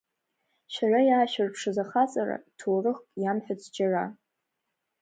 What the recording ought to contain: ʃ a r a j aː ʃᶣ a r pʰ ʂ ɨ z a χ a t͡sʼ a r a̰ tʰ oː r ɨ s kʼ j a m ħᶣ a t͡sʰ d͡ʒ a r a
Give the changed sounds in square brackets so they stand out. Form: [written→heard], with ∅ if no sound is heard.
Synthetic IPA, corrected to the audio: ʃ a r a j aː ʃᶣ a r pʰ ʂ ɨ z a χ a t͡sʼ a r a̰ tʰ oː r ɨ [s→χ] kʼ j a m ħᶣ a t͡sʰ d͡ʒ a r a